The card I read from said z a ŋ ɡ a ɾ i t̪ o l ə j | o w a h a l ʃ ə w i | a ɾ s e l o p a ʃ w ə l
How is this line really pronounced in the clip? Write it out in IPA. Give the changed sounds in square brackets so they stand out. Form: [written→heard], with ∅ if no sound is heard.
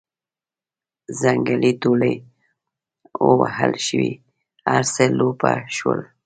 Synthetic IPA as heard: z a ŋ ɡ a [ɾ→l] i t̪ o l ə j | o w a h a l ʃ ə w i | a ɾ s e l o p a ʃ w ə l